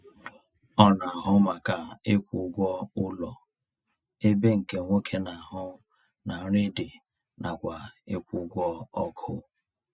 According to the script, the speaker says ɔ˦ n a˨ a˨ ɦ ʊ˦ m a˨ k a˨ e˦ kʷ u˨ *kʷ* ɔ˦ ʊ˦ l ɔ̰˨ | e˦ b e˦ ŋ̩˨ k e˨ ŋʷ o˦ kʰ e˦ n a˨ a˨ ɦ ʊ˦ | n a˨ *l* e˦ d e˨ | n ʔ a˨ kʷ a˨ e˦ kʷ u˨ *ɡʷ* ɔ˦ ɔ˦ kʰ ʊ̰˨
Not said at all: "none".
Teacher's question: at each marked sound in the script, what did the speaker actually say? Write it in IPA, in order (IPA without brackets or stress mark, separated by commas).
ɡʷ, ɾ, ɡʷ